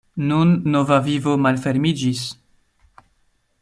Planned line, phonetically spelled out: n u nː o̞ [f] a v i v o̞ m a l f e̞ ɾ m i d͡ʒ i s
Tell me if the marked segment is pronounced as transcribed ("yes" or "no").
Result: no